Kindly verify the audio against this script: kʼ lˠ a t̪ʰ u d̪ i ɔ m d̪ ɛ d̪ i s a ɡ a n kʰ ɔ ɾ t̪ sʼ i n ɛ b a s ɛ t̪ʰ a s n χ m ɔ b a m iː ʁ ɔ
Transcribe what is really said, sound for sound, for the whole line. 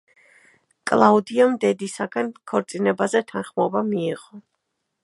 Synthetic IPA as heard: kʼ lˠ a u d̪ i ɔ m d̪ ɛ d̪ i s a ɡ a n kʰ ɔ ɾ t̪ sʼ i n ɛ b a z ɛ t̪ʰ a n χ m ɔ b a m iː ʁ ɔ